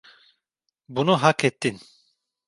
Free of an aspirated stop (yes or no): yes